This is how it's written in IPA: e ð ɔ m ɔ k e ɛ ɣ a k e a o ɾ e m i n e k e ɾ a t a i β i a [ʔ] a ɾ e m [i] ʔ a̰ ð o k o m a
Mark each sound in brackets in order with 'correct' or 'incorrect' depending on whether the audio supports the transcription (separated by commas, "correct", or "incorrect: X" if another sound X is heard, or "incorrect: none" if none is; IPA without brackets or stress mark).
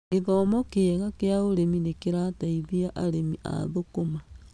correct, correct